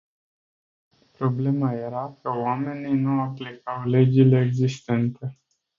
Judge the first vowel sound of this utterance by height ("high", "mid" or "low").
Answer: mid